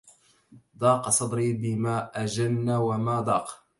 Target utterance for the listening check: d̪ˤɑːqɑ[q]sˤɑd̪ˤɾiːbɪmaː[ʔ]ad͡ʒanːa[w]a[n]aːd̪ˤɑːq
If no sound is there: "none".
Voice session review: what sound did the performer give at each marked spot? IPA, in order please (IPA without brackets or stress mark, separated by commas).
none, ʔ, w, m